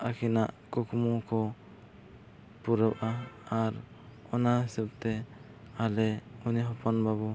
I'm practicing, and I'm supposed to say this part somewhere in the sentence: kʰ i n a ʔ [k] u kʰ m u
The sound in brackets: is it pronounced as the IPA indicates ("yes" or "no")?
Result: yes